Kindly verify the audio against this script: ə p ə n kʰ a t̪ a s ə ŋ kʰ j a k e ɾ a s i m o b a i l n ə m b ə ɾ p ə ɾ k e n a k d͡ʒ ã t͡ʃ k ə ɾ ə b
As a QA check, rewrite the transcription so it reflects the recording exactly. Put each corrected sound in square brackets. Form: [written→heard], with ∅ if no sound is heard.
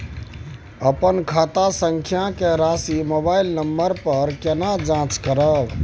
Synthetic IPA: ə p ə n kʰ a t̪ a s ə ŋ kʰ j a k e ɾ a s i m o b a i l n ə m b ə ɾ p ə ɾ k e n a [k→∅] d͡ʒ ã t͡ʃ k ə ɾ ə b